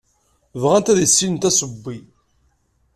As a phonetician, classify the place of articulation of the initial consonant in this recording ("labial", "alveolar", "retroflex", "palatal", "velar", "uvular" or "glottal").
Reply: labial